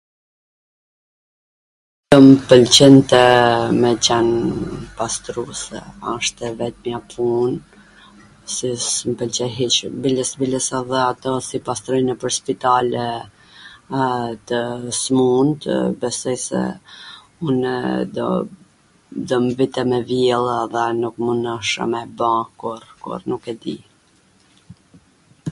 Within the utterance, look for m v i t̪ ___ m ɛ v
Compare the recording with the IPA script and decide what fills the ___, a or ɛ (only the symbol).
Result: ɛ